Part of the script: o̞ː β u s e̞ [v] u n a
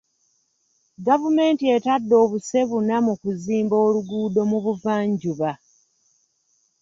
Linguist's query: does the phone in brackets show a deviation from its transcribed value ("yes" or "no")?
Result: yes